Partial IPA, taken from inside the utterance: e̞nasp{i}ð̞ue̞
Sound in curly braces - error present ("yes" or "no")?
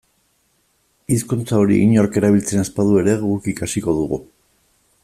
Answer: yes